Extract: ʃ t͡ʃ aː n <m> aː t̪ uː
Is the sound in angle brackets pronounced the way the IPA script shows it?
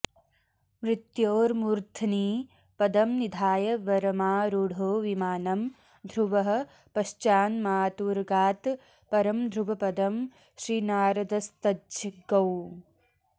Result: yes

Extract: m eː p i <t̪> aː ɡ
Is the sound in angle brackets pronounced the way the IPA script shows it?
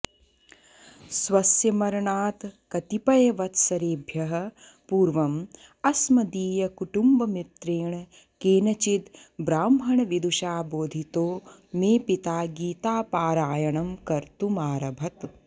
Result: yes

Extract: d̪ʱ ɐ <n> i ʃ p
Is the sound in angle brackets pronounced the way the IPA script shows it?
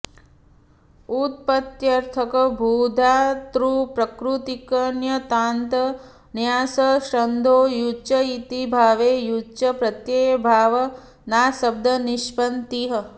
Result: yes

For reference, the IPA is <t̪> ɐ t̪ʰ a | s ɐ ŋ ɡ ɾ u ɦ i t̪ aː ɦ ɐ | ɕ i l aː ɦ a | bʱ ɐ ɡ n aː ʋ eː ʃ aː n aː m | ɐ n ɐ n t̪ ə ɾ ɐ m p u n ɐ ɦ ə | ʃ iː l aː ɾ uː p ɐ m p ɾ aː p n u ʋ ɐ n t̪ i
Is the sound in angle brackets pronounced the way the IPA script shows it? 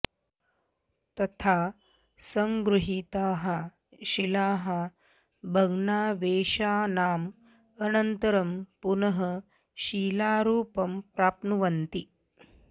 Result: yes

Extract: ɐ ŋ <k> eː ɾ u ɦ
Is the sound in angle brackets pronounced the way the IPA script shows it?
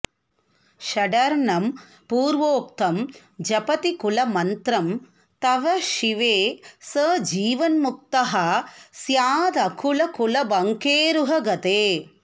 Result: yes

